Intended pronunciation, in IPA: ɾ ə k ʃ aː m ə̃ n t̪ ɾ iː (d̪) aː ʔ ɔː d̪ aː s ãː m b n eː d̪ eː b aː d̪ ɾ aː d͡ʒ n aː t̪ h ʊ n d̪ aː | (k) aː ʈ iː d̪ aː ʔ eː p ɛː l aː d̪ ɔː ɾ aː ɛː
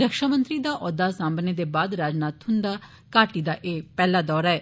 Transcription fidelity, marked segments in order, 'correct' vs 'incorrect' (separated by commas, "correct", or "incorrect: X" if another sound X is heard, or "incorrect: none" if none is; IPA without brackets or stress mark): correct, correct